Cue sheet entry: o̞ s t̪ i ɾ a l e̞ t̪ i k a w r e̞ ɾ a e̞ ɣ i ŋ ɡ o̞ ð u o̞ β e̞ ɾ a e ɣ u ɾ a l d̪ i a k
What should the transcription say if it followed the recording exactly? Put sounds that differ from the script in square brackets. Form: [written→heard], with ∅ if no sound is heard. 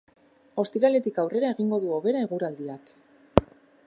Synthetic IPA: o̞ s t̪ i ɾ a l e̞ t̪ i k a w r e̞ ɾ a e̞ ɣ i ŋ ɡ o̞ ð u o̞ β e̞ ɾ a e ɣ u ɾ a l d̪ i a k